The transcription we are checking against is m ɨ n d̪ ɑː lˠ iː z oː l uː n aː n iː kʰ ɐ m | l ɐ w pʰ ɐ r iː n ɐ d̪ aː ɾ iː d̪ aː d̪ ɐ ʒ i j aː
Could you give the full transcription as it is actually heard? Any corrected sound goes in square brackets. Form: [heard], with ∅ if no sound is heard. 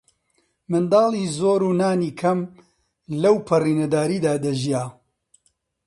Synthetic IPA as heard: m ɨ n d̪ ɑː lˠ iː z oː [ɾ] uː n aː n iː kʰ ɐ m | l ɐ w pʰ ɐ r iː n ɐ d̪ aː ɾ iː d̪ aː d̪ ɐ ʒ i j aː